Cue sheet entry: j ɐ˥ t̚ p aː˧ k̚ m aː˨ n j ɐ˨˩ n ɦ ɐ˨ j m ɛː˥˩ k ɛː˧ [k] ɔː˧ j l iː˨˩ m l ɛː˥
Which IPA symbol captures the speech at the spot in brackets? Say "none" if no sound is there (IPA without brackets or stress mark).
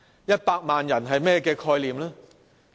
kʰ